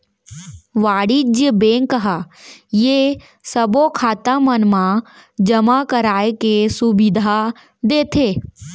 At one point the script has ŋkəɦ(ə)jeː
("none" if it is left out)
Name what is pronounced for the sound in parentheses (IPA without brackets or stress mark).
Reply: a